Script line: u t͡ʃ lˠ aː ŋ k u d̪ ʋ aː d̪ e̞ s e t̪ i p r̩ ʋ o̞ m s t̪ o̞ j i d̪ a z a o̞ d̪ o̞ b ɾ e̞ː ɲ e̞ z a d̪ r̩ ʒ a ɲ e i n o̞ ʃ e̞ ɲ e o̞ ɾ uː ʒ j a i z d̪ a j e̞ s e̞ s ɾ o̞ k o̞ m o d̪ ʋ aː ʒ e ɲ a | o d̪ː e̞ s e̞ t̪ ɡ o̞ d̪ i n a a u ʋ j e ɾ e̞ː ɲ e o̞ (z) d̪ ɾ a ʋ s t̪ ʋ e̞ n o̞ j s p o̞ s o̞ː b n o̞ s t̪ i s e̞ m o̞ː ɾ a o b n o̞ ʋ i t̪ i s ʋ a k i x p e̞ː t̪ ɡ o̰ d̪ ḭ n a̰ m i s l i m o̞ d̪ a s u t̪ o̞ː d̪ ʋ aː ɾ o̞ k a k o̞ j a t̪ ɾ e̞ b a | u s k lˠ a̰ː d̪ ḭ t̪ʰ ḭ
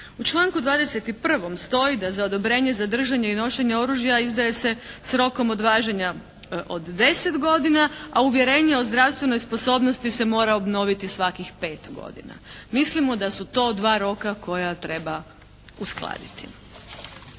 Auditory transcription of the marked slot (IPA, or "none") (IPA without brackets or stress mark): z